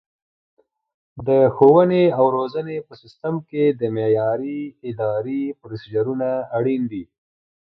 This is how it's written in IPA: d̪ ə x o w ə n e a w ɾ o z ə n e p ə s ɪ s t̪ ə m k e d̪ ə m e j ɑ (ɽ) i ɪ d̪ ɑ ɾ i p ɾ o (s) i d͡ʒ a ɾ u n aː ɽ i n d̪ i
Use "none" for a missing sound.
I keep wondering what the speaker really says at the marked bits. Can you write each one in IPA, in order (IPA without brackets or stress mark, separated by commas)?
ɾ, s